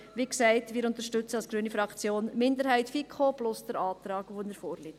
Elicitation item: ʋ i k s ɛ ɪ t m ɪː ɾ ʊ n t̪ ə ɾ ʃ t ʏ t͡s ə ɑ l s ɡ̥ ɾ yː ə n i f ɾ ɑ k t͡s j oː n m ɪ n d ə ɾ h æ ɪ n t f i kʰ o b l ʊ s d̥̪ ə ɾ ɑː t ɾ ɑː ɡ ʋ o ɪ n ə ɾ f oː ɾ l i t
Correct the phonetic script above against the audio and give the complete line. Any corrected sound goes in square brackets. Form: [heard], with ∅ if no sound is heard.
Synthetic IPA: ʋ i k s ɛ ɪ t m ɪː ɾ ʊ n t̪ ə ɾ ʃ t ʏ t͡s ə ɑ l s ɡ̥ ɾ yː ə n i f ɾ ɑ k t͡s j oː n m ɪ n d ə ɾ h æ ɪ [∅] t f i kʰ o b l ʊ s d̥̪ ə ɾ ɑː t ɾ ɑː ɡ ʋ o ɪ n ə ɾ f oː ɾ l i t